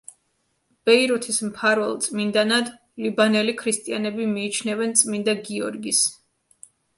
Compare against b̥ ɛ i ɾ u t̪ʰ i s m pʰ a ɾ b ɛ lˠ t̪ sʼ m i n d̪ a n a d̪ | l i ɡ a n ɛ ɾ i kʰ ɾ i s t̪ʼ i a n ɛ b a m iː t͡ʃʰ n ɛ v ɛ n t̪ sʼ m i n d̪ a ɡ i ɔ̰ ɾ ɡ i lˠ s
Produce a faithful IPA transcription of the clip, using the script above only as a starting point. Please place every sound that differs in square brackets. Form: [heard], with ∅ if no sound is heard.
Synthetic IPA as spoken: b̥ ɛ i ɾ u t̪ʰ i s m pʰ a ɾ [v] ɛ lˠ t̪ sʼ m i n d̪ a n a d̪ | l i [b] a n ɛ [l] i kʰ ɾ i s t̪ʼ i a n ɛ b [i] m iː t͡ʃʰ n ɛ v ɛ n t̪ sʼ m i n d̪ a ɡ i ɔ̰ ɾ ɡ i [∅] s

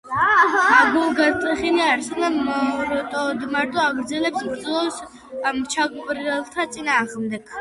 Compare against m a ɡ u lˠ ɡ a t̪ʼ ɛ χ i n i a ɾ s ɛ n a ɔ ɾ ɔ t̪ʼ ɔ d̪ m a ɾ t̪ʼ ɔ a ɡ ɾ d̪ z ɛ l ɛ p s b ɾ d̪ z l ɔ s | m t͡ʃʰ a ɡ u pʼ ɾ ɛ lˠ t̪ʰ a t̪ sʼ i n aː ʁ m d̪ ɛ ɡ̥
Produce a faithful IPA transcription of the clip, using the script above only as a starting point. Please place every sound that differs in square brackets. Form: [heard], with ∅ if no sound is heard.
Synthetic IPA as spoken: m a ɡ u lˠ ɡ a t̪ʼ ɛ χ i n i a ɾ s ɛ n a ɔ ɾ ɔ t̪ʼ ɔ d̪ m a ɾ t̪ʼ ɔ a ɡ ɾ d̪ z ɛ l ɛ p s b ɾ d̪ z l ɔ s | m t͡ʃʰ a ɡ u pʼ ɾ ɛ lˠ t̪ʰ a t̪ sʼ i n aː ʁ m d̪ ɛ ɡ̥

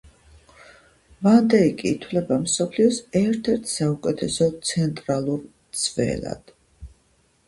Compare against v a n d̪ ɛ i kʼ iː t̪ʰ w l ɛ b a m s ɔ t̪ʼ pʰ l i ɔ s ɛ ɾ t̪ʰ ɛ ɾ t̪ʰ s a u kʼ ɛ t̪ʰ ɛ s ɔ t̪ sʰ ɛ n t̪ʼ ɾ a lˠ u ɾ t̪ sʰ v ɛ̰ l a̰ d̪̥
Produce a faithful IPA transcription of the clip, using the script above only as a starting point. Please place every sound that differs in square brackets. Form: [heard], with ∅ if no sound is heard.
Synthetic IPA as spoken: v a n d̪ ɛ i kʼ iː t̪ʰ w l ɛ b a m s ɔ [∅] pʰ l i ɔ s ɛ ɾ t̪ʰ ɛ ɾ t̪ʰ s a u kʼ ɛ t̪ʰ ɛ s ɔ t̪ sʰ ɛ n t̪ʼ ɾ a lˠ u ɾ t̪ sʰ v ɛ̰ l a̰ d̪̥

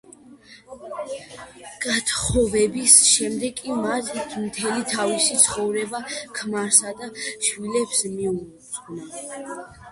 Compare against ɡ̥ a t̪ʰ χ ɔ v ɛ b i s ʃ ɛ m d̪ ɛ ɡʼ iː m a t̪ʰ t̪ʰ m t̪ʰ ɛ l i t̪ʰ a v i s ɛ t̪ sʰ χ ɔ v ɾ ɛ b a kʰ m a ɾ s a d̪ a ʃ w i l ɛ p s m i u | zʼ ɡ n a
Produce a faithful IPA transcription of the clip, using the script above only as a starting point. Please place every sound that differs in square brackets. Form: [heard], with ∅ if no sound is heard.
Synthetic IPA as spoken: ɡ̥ a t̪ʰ χ ɔ v ɛ b i s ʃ ɛ m d̪ ɛ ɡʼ [i] m a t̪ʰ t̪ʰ m t̪ʰ ɛ l i t̪ʰ a v i s [i] t̪ sʰ χ ɔ v ɾ ɛ b a kʰ m a ɾ s a d̪ a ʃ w i l ɛ p s m i u | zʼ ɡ n a

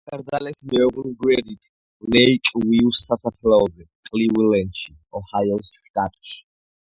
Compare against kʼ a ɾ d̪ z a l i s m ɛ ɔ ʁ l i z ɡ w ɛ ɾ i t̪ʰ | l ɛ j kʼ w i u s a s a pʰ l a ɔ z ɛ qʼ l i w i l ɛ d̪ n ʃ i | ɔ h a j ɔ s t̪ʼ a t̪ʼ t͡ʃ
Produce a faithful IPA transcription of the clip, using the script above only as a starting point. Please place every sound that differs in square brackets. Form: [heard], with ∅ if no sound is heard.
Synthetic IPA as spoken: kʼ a ɾ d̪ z a l [ɛ] s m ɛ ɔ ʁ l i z ɡ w ɛ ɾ i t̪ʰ | l ɛ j kʼ w i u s a s a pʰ l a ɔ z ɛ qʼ l i w i l ɛ [∅] n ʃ i | ɔ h a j ɔ s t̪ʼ a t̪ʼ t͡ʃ

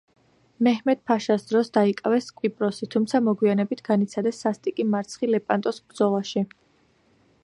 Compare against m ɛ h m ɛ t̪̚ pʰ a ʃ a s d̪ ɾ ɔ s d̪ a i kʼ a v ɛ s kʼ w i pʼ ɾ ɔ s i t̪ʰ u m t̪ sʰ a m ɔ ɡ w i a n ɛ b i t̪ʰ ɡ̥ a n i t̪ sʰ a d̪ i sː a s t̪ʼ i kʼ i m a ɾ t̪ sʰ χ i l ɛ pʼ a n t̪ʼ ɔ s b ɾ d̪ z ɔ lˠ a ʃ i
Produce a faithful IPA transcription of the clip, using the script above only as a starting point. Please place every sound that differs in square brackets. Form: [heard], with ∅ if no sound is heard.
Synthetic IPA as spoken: m ɛ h m ɛ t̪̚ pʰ a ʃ a s d̪ ɾ ɔ s d̪ a i kʼ a v ɛ s kʼ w i pʼ ɾ ɔ s i t̪ʰ u m t̪ sʰ a m ɔ ɡ w i a n ɛ b i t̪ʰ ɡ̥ a n i t̪ sʰ a d̪ [ɛ] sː a s t̪ʼ i kʼ i m a ɾ t̪ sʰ χ i l ɛ pʼ a n t̪ʼ ɔ s b ɾ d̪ z ɔ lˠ a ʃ i

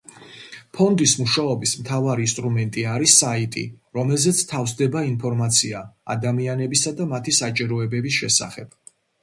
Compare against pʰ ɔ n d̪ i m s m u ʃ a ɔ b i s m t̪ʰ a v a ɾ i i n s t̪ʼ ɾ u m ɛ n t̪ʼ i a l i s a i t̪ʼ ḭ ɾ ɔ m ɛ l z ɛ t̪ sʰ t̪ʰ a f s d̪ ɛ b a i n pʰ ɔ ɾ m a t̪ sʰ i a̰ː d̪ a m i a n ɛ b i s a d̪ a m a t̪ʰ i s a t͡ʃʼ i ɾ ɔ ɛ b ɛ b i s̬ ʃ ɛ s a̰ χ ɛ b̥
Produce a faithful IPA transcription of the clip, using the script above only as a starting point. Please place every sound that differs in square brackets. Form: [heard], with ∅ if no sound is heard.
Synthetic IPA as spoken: pʰ ɔ n d̪ i [∅] s m u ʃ a ɔ b i s m t̪ʰ a v a ɾ i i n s t̪ʼ ɾ u m ɛ n t̪ʼ i a [ɾ] i s a i t̪ʼ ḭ ɾ ɔ m ɛ l z ɛ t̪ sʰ t̪ʰ a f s d̪ ɛ b a i n pʰ ɔ ɾ m a t̪ sʰ i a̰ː d̪ a m i a n ɛ b i s a d̪ a m a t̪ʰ i s a t͡ʃʼ i ɾ ɔ ɛ b ɛ b i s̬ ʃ ɛ s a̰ χ ɛ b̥

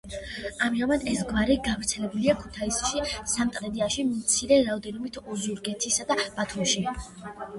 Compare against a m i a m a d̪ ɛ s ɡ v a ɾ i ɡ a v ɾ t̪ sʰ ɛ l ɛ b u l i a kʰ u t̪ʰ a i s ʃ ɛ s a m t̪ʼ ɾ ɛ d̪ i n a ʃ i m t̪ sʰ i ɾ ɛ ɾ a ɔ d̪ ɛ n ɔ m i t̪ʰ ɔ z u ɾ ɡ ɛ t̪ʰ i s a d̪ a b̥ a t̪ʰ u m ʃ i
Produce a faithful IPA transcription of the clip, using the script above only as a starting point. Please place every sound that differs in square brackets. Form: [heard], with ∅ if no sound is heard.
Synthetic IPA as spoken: a m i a m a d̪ ɛ s ɡ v a ɾ i ɡ a v ɾ t̪ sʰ ɛ l ɛ b u l i a kʰ u t̪ʰ a i s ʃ [i] s a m t̪ʼ ɾ ɛ d̪ i [∅] a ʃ i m t̪ sʰ i ɾ ɛ ɾ a ɔ d̪ ɛ n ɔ m i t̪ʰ ɔ z u ɾ ɡ ɛ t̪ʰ i s a d̪ a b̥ a t̪ʰ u m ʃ i

